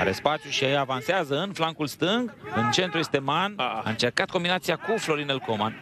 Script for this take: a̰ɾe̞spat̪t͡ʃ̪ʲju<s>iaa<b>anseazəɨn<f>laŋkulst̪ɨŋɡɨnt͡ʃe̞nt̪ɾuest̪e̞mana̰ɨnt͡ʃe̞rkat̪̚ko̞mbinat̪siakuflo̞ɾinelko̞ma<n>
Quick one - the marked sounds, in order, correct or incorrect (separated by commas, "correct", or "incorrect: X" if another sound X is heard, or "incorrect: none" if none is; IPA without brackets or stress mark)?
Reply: incorrect: ʃ, incorrect: v, correct, correct